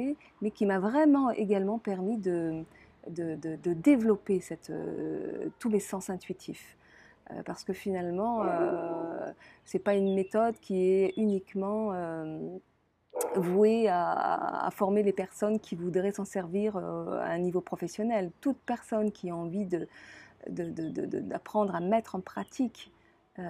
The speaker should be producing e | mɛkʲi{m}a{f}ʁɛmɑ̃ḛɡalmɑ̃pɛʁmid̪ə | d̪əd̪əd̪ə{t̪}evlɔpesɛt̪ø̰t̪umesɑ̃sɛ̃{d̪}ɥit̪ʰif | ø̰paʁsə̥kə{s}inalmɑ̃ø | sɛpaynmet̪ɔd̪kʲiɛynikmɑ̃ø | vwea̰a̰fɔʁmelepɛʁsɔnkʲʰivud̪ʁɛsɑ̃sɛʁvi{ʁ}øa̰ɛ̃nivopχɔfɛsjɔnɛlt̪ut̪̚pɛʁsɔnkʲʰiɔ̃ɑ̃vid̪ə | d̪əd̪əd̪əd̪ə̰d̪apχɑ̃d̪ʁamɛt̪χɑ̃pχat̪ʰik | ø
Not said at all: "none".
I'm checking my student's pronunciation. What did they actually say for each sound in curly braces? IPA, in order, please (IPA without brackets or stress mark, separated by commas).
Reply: m, v, d̪, t̪, f, ʁ